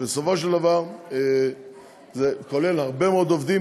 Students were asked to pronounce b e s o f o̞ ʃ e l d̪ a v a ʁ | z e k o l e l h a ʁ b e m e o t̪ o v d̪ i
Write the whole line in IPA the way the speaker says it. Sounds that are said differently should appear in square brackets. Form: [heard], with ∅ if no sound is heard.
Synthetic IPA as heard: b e s o f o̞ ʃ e l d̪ a v a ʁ | z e k o l e l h a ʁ b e m e o [d̪] o v d̪ i